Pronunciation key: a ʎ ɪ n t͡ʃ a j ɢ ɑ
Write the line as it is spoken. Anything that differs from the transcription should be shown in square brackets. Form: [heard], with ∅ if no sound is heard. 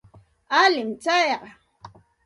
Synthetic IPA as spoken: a [l] ɪ [m] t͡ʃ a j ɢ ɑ